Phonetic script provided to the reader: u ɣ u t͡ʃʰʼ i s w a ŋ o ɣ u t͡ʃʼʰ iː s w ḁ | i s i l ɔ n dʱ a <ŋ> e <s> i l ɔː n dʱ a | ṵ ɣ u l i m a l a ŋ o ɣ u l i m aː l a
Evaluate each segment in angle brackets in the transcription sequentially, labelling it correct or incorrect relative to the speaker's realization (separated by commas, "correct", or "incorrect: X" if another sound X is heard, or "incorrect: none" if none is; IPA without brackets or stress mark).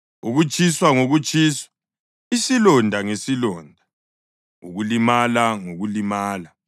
correct, correct